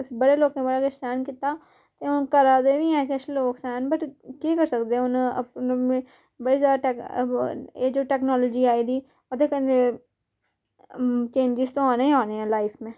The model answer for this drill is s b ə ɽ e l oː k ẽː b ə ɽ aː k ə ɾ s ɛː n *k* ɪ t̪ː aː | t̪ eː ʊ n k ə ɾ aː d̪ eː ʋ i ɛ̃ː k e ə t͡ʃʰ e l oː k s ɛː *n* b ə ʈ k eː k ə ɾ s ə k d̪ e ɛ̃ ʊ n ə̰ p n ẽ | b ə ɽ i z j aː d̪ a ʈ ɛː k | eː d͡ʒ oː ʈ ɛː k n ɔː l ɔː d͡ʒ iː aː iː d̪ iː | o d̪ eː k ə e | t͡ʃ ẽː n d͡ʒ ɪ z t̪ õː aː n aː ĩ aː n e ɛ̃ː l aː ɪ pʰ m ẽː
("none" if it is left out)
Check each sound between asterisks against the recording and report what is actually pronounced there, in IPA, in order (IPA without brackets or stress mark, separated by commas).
k, n